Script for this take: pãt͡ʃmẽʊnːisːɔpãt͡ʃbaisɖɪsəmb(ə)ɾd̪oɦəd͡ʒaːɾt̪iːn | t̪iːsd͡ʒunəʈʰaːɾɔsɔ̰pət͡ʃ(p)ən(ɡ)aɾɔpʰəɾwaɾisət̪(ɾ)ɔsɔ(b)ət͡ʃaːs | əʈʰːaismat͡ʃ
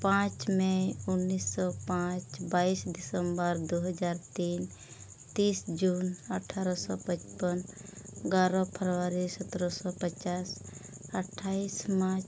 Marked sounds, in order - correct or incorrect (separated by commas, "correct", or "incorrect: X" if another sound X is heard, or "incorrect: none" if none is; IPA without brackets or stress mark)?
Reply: correct, correct, correct, correct, incorrect: p